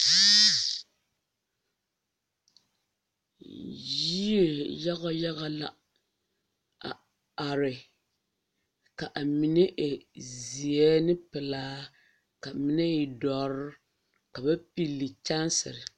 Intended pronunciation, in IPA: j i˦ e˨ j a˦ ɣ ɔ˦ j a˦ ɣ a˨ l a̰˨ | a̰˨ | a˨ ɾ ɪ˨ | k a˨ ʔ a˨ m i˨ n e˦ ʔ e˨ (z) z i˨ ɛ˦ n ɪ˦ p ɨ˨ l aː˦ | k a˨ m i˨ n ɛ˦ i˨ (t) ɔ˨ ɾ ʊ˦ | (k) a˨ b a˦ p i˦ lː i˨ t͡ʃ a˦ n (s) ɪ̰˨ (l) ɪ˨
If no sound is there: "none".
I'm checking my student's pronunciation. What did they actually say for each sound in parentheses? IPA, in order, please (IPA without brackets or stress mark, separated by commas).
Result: z, d, k, s, ɾ